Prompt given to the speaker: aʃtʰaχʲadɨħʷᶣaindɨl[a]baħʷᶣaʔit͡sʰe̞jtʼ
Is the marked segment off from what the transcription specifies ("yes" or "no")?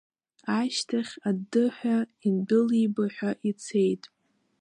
yes